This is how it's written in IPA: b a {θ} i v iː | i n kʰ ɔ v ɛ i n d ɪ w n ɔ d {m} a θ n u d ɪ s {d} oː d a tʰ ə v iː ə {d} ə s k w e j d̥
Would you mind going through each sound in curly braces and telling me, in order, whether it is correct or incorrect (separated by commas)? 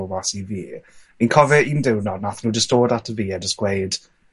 incorrect, incorrect, incorrect, correct